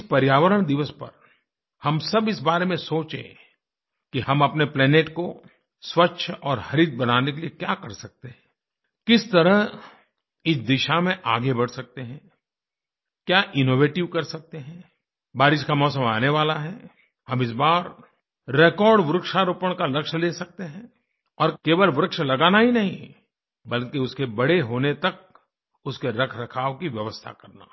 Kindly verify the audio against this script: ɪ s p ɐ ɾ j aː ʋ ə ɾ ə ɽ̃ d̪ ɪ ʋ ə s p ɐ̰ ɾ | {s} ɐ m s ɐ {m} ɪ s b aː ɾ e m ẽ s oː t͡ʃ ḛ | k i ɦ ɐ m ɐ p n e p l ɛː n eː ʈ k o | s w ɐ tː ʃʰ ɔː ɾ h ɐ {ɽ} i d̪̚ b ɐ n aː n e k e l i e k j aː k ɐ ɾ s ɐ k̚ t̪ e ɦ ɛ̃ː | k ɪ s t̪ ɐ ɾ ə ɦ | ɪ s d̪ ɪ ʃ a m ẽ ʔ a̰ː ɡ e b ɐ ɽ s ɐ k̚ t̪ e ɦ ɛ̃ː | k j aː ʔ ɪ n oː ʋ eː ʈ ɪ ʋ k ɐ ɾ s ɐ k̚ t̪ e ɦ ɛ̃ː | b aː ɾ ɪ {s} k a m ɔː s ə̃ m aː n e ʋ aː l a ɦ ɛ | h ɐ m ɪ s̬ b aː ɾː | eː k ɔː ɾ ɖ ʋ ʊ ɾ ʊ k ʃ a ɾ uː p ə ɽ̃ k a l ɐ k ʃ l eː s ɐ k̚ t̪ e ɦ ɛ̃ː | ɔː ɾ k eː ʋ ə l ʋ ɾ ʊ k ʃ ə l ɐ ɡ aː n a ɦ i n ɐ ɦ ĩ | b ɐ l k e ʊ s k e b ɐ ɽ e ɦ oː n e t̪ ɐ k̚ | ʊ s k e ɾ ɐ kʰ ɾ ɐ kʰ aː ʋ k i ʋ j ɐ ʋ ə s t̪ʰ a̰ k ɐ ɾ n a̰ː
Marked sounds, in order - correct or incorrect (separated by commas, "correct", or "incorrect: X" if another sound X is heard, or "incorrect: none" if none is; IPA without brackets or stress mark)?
incorrect: h, incorrect: b, incorrect: ɾ, incorrect: ʃ